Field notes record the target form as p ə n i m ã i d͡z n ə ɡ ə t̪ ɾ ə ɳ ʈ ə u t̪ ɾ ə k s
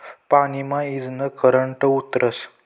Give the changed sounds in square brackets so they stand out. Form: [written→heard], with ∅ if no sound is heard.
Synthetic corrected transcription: p [ə→a] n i m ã i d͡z n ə [ɡ→k] ə [t̪→∅] ɾ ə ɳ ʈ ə u t̪ ɾ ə [k→∅] s